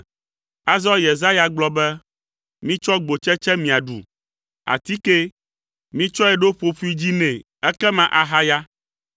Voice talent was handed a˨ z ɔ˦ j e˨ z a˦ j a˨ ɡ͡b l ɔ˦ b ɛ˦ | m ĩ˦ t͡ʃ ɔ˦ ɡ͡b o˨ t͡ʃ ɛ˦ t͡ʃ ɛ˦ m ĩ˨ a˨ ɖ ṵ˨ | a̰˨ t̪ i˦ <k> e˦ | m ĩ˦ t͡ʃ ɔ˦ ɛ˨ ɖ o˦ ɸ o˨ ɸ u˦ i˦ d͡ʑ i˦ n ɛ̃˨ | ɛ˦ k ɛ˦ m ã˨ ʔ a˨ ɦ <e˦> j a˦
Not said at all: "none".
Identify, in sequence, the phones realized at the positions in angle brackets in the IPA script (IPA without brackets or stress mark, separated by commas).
k, a˦